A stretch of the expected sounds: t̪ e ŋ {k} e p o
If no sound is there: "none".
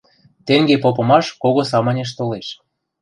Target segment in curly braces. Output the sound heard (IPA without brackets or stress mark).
ɡ